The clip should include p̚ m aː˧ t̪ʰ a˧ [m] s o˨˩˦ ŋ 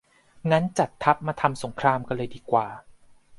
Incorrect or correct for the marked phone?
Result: correct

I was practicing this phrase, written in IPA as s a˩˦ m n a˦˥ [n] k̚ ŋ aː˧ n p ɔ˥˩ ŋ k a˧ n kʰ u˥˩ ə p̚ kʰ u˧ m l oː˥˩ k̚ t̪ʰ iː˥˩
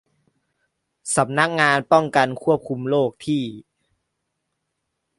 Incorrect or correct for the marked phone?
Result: incorrect: none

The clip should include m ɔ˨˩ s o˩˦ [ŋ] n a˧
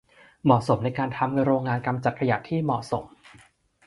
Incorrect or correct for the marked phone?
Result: incorrect: m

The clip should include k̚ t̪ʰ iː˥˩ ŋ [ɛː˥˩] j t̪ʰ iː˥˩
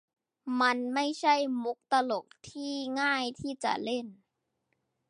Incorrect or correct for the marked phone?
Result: incorrect: aː˥˩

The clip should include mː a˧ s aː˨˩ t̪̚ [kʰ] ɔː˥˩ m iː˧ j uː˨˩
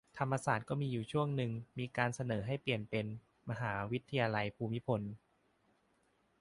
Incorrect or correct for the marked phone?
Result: incorrect: k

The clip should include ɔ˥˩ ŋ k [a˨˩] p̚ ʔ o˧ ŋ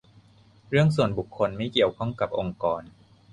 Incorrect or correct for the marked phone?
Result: correct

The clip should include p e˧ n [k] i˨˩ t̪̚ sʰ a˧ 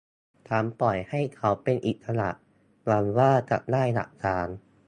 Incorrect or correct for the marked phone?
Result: incorrect: ʔ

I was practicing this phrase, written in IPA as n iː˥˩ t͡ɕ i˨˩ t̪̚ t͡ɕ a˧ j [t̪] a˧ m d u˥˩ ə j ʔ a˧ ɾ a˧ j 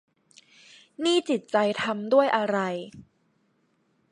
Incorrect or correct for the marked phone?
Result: incorrect: t̪ʰ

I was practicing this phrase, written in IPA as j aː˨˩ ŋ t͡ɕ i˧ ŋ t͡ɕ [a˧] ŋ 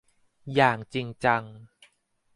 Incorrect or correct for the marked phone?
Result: correct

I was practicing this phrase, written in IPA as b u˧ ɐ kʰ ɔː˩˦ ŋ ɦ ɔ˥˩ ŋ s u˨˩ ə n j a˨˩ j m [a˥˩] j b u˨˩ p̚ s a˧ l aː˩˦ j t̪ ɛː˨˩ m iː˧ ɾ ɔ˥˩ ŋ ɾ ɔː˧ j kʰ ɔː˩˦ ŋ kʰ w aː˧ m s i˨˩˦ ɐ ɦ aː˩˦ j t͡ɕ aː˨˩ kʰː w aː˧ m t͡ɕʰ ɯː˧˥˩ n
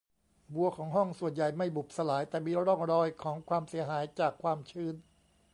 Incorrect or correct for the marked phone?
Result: correct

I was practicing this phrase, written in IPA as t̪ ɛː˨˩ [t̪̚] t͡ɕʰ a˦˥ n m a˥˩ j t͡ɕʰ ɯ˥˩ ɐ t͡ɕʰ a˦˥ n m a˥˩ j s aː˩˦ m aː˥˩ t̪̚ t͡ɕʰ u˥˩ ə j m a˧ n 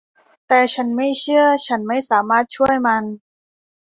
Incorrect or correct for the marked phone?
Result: incorrect: none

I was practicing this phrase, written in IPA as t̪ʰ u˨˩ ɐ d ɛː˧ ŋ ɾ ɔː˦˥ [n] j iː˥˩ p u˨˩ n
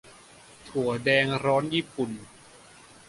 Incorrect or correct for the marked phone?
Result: correct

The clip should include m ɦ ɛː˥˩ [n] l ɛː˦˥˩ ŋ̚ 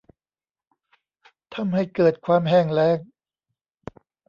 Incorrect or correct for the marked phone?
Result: incorrect: ŋ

